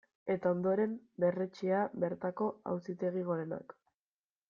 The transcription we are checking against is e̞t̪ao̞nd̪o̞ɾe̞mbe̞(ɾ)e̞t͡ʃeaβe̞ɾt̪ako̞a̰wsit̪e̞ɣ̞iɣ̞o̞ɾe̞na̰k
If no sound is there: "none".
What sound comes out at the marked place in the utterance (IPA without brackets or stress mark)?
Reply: r